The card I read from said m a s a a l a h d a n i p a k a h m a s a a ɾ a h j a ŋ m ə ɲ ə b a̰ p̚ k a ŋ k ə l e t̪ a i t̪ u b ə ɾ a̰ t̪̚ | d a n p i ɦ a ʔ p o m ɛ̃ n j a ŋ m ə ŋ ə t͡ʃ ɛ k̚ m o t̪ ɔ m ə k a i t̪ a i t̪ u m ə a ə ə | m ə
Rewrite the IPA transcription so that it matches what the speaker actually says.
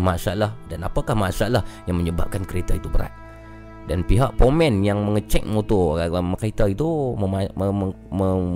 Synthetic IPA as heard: m a s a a l a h d a n a p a k a h m a s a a l a h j a ŋ m ə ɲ ə b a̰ p̚ k a n k ə ɾ e t̪ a i t̪ u b ə ɾ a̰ t̪̚ | d a n p i ɦ a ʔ p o m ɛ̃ n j a ŋ m ə ŋ ə t͡ʃ ɛ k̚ m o t̪ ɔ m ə k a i t̪ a i t̪ u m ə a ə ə | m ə